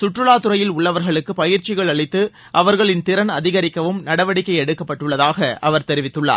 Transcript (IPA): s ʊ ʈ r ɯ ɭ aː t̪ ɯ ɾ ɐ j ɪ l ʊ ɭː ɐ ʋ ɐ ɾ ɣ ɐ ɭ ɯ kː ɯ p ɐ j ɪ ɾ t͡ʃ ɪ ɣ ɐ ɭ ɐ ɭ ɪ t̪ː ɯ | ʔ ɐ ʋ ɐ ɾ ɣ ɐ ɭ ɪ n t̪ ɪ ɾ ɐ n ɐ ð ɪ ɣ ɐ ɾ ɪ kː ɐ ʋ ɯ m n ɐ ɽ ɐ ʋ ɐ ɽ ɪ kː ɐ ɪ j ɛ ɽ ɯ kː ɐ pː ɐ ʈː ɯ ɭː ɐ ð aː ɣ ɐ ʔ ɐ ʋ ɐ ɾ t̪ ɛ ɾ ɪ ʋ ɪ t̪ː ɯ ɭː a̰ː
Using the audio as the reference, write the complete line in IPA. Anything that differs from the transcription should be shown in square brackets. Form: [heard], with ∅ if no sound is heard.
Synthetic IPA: s ʊ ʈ r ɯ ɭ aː t̪ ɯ ɾ ɐ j ɪ l ʊ ɭː ɐ ʋ ɐ ɾ ɣ ɐ ɭ ɯ kː ɯ p ɐ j ɪ ɾ t͡ʃ ɪ ɣ ɐ ɭ ɐ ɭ ɪ t̪ː ɯ | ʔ ɐ ʋ ɐ ɾ ɣ ɐ ɭ ɪ n t̪ ɪ ɾ ɐ n ɐ ð ɪ ɣ ɐ ɾ ɪ kː ɐ ʋ ɯ m n ɐ ɽ ɐ ʋ ɐ ɽ ɪ kː ɐ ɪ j ɛ ɽ ɯ kː ɐ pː ɐ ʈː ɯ ɭː ɐ ð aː ɣ ɐ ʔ ɐ ʋ ɐ ɾ t̪ ɛ ɾ ɪ ʋ ɪ t̪ː ɯ ɭː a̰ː